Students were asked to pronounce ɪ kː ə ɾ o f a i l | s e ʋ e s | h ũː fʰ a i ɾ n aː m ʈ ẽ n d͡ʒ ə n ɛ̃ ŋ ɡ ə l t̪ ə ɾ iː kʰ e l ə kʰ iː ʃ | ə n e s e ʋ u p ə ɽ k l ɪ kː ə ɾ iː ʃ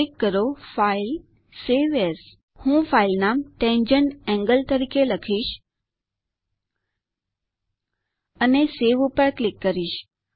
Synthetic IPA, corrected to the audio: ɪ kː ə ɾ o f a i l | s e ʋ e s | h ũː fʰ a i l n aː m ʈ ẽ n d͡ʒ ə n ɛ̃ ŋ ɡ ə l t̪ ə ɾ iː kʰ e l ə kʰ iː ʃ | ə n e s e ʋ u p ə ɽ k l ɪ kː ə ɾ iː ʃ